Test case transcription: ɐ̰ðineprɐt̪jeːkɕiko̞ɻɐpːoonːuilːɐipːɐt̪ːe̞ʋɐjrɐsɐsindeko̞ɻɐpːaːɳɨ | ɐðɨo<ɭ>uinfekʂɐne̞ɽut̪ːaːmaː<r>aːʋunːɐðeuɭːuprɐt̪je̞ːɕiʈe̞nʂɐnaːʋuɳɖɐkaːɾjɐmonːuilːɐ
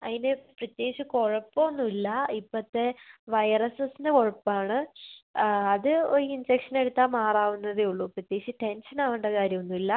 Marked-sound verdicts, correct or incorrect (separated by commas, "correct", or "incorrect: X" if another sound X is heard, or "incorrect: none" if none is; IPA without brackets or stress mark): incorrect: ɾ, correct